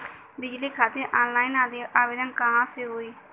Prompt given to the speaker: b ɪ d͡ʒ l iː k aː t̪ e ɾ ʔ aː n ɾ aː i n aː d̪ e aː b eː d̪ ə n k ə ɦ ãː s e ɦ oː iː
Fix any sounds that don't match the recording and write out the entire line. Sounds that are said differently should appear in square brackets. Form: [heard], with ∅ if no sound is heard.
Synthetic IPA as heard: b ɪ d͡ʒ l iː [kʰ] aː t̪ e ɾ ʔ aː n [l] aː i n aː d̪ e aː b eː d̪ ə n k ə ɦ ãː s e ɦ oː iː